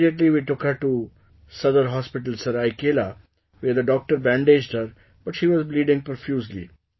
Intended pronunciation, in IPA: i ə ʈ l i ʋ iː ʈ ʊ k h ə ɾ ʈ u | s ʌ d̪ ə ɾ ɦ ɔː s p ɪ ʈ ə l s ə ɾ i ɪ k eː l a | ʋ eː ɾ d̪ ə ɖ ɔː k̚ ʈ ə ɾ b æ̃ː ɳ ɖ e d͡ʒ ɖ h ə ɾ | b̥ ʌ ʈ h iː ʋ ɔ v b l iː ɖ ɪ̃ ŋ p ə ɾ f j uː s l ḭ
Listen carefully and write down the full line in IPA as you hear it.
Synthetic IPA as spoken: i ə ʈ l i ʋ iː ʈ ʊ k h ə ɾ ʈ u | s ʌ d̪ ə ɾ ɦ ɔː s p ɪ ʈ ə l s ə ɾ a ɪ k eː l a | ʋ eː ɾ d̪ ə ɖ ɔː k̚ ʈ ə ɾ b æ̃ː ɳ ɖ e d͡ʒ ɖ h ə ɾ | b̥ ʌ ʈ ʃ iː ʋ ɔ z b l iː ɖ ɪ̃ ŋ p ə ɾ f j uː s l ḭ